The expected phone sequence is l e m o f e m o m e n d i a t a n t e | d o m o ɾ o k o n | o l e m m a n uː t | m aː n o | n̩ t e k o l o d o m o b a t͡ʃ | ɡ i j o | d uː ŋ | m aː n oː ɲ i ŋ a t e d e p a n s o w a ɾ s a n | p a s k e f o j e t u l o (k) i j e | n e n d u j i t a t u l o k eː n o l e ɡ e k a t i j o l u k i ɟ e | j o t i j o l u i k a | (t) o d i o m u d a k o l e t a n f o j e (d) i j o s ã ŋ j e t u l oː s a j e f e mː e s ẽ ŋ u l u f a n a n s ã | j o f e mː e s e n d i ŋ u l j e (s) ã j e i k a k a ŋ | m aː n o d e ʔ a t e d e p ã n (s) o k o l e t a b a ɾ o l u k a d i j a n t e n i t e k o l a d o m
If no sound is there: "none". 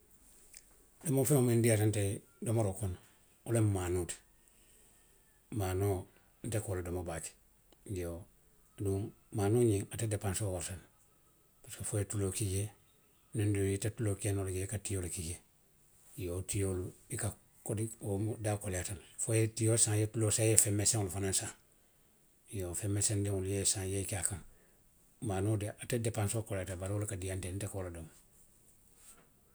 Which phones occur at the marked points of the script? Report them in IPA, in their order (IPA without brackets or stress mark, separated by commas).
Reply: k, k, t, s, s